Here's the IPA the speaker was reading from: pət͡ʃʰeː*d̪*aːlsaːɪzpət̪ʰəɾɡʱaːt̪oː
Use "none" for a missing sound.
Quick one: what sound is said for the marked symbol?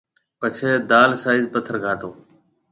d̪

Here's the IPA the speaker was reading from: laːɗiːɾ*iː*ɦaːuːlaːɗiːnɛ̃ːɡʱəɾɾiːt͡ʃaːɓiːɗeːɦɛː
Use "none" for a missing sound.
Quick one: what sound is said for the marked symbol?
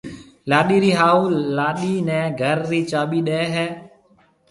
iː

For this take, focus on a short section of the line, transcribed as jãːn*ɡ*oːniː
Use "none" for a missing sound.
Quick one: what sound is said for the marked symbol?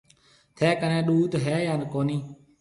k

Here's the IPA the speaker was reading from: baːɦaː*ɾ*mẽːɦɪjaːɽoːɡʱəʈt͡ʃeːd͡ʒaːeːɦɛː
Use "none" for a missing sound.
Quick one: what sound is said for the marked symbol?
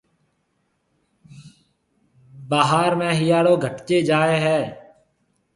ɾ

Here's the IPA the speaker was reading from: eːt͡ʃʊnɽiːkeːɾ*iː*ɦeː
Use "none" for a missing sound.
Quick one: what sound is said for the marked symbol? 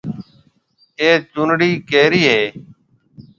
iː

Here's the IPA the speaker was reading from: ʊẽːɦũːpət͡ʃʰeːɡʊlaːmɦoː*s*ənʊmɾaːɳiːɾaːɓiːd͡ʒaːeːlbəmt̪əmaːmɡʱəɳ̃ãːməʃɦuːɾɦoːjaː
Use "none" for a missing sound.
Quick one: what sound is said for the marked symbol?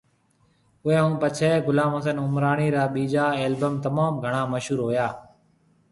s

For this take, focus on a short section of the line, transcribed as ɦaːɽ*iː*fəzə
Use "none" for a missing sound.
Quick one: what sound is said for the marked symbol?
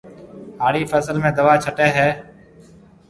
iː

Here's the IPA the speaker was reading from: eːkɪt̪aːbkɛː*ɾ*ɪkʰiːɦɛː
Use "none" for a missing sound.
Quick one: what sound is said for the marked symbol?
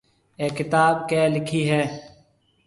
l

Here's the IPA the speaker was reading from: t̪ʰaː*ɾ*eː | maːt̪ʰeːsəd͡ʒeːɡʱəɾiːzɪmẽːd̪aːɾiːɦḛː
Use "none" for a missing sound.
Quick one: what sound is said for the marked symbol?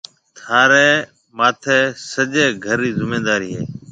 ɾ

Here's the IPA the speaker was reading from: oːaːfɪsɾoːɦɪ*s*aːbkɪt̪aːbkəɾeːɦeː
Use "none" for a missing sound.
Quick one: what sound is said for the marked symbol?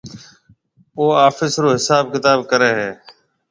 s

